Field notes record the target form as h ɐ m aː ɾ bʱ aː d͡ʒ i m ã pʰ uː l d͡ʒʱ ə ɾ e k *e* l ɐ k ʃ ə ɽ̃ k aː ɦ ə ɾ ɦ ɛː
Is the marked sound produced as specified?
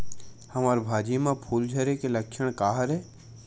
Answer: yes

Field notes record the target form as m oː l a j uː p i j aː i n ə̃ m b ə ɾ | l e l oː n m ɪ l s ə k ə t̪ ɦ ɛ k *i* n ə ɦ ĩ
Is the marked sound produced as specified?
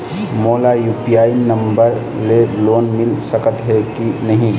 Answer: yes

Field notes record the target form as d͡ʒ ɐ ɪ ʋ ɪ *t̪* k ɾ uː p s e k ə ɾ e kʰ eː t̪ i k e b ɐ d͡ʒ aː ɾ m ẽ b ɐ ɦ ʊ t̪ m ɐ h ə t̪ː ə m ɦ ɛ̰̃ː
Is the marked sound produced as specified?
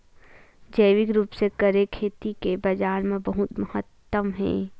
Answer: no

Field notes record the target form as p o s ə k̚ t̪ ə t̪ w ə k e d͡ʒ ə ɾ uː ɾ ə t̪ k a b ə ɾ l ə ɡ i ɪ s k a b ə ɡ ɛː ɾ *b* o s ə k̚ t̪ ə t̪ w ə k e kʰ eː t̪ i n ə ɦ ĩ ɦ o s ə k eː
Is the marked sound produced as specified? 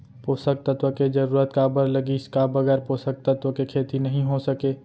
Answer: no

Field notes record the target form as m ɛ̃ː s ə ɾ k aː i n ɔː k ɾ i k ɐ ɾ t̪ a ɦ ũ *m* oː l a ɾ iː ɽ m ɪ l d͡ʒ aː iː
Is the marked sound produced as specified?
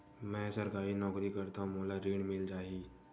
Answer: yes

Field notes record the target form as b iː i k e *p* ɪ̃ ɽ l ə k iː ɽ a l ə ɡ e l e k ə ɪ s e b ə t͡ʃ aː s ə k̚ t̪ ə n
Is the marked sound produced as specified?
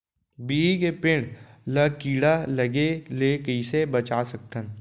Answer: yes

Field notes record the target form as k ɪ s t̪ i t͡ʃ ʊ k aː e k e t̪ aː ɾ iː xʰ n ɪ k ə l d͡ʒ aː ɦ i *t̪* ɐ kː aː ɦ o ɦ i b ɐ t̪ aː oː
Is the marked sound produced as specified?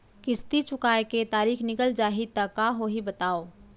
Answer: yes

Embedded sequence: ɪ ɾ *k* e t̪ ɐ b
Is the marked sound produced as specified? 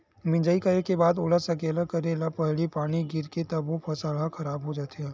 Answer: yes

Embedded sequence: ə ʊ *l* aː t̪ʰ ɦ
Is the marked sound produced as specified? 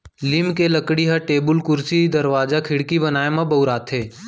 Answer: no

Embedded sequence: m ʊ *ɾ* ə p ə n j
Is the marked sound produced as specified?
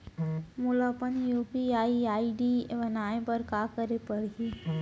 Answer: no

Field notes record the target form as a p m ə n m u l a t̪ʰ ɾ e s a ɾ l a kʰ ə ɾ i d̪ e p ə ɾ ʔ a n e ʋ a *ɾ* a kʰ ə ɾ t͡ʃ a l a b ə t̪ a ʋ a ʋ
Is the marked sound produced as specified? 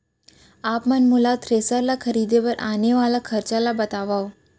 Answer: no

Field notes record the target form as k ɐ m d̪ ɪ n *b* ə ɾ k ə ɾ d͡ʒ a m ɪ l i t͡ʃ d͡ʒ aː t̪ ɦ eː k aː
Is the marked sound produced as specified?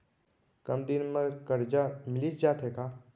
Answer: no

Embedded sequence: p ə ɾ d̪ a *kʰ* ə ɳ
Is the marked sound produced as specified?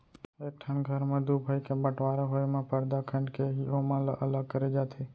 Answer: yes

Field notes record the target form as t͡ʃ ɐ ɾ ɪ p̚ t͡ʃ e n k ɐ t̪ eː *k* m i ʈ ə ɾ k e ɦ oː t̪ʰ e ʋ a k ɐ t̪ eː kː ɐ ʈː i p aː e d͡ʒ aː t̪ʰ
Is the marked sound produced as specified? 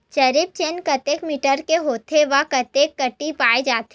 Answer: yes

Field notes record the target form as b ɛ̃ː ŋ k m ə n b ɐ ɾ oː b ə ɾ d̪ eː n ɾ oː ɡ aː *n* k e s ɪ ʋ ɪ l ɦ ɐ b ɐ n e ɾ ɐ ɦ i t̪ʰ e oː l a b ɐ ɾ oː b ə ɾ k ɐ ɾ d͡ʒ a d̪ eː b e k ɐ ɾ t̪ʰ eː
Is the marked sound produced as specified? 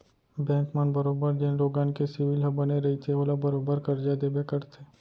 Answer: yes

